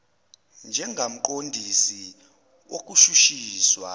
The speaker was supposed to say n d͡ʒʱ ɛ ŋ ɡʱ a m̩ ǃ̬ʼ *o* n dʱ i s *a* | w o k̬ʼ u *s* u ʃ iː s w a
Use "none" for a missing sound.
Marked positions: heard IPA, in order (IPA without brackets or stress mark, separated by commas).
o, i, ʃ